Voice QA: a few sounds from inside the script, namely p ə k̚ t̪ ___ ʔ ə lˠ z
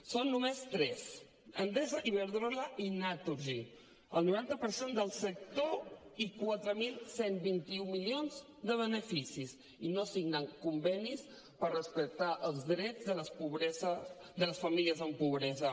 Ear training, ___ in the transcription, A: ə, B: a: B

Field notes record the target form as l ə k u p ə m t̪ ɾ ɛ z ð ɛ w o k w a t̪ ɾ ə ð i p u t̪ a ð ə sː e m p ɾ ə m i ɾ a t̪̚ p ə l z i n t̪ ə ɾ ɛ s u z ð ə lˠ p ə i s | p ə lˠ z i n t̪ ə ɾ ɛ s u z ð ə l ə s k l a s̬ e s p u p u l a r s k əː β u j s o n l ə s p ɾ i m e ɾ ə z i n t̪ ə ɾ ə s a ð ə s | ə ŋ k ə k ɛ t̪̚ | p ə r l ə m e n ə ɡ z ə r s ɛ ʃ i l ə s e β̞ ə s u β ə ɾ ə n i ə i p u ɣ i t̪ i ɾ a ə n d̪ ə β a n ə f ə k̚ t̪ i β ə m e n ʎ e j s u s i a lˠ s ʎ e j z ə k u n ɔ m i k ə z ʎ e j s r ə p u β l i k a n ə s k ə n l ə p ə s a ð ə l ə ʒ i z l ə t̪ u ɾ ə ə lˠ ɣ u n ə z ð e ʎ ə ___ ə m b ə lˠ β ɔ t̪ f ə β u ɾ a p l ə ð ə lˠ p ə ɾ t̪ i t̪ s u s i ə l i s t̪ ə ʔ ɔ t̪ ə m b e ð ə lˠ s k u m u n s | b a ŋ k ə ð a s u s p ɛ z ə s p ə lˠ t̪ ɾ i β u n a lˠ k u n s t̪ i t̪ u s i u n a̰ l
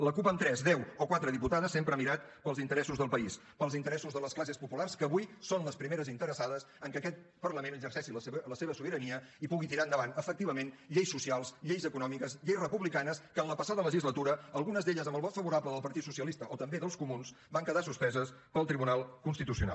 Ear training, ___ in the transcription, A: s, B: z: B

